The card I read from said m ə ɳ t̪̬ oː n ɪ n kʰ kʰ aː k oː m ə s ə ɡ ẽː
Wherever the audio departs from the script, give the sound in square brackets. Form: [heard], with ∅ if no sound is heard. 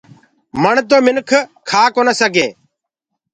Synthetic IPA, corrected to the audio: m ə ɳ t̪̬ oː [m] ɪ n kʰ kʰ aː k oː [n] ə s ə ɡ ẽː